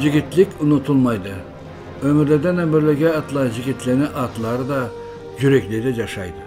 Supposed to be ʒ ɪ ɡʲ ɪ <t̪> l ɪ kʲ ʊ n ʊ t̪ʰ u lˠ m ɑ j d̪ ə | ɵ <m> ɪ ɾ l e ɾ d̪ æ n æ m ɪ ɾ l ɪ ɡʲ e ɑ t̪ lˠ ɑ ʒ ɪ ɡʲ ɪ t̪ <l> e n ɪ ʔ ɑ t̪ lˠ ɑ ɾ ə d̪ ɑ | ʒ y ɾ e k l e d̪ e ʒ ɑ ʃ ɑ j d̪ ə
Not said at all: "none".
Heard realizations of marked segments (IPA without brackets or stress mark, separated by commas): t̪, m, l